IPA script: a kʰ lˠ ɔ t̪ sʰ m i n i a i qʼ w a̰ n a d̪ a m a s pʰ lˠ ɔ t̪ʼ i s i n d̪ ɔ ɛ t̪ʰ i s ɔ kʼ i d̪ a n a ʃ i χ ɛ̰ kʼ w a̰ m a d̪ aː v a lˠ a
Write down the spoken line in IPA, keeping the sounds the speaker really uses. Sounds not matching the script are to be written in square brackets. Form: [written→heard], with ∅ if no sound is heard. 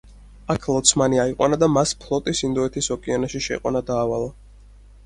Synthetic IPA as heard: a kʰ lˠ ɔ t̪ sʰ m [i→a] n i a i qʼ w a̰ n a d̪ a m a s pʰ lˠ ɔ t̪ʼ i s i n d̪ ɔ ɛ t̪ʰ i s ɔ kʼ i [d̪→∅] a n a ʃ i [χ→ʃ] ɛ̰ [kʼ→qʼ] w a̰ [m→n] a d̪ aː v a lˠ a